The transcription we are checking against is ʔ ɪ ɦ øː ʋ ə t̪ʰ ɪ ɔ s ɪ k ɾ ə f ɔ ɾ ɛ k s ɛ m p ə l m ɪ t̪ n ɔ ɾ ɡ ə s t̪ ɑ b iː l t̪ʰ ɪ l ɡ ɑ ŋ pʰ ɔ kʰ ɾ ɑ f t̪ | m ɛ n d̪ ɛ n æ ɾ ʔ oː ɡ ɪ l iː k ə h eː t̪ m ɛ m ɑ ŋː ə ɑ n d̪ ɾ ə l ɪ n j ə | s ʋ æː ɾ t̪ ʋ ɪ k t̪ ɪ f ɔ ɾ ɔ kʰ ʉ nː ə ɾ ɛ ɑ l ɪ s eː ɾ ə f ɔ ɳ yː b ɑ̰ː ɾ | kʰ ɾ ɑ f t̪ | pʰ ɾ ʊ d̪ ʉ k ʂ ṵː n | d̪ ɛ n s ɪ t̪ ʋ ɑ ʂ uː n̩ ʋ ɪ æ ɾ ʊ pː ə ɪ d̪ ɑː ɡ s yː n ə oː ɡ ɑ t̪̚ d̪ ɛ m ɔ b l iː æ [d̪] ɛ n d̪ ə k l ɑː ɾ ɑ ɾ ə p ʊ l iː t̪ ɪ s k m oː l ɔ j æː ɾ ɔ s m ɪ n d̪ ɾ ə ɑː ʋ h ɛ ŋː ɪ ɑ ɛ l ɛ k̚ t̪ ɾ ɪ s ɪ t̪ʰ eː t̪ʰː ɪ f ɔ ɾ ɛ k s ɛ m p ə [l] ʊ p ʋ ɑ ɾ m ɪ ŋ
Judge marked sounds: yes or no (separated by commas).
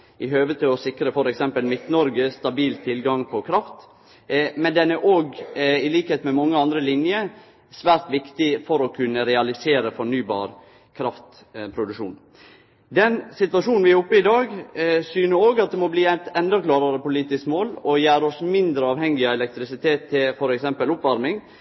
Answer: no, yes